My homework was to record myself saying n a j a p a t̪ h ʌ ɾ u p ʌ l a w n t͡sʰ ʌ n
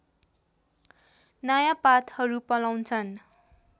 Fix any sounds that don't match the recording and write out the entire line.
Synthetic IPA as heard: n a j a p a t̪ h ʌ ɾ u p ʌ l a w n t͡sʰ ʌ n